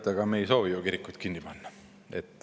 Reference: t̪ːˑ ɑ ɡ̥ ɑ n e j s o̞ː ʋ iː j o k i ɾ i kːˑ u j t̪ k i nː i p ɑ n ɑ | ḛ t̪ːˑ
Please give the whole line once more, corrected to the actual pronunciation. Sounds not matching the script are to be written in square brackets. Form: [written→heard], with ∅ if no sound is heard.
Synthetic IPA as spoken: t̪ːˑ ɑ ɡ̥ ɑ [n→m] e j s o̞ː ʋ [iː→i] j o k i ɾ i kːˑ u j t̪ k i nː i p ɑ [n→nː] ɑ | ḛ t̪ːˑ